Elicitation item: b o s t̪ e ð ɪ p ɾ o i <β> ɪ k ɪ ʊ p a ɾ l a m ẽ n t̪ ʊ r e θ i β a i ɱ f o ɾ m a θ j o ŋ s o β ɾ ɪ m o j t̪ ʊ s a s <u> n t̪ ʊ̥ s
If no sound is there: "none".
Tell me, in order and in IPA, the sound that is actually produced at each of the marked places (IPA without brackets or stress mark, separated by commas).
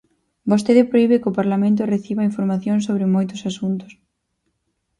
β, u